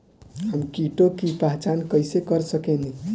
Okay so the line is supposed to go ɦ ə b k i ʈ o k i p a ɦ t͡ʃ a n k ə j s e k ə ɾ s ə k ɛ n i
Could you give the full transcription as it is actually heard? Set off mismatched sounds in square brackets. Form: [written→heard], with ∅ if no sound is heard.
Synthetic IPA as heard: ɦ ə [b→m] k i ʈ o k i p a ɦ t͡ʃ a n k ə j s e k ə ɾ s ə k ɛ n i